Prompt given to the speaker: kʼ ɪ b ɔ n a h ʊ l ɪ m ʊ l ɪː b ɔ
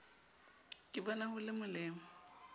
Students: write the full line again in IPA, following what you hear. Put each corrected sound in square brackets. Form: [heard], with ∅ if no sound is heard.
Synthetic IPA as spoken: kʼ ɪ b ɔ n a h ʊ l ɪ m ʊ l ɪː [m] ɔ